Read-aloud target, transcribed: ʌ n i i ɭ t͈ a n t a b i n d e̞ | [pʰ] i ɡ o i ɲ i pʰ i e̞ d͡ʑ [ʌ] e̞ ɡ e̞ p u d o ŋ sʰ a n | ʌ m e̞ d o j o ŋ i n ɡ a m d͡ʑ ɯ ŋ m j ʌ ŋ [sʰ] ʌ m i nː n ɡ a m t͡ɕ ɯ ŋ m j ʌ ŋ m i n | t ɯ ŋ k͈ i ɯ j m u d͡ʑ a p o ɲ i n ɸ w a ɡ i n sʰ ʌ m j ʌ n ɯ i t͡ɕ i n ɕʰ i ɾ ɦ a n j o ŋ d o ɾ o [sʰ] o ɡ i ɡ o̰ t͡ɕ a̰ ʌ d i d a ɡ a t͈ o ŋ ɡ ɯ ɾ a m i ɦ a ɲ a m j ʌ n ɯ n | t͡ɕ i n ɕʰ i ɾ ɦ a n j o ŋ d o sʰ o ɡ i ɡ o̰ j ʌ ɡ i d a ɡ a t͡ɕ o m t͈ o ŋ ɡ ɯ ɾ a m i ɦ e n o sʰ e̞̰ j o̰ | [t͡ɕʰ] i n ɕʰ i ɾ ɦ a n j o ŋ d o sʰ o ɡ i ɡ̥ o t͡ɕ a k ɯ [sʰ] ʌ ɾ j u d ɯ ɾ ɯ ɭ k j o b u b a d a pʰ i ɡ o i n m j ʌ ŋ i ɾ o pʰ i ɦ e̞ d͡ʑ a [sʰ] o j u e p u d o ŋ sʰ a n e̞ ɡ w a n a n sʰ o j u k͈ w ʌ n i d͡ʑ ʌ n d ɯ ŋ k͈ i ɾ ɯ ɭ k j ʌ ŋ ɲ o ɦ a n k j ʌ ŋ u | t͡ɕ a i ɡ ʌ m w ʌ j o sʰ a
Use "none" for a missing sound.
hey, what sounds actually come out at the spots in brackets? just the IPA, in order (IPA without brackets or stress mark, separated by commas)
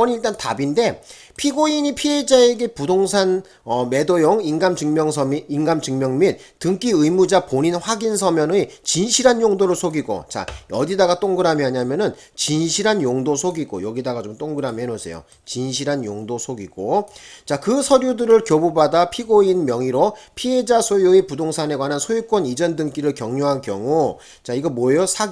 pʰ, a, sʰ, sʰ, t͡ɕ, sʰ, sʰ